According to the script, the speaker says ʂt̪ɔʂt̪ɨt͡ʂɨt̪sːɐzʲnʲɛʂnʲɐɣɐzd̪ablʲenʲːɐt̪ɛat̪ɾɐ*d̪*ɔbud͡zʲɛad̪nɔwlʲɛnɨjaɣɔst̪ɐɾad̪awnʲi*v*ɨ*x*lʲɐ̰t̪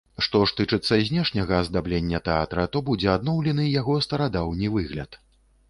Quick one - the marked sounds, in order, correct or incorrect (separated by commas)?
incorrect, correct, incorrect